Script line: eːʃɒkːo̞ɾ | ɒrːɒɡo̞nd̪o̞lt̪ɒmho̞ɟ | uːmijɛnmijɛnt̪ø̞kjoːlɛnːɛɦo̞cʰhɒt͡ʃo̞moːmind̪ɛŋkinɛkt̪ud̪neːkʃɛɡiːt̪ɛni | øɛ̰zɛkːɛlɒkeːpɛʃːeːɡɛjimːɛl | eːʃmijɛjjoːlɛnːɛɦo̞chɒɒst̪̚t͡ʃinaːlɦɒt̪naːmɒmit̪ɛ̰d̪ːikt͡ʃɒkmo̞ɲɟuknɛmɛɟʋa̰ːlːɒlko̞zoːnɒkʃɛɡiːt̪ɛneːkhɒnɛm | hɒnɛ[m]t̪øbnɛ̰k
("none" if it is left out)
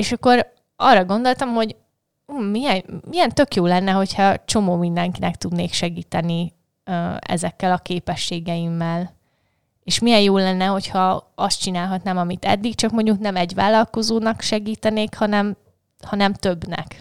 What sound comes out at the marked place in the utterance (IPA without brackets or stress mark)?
m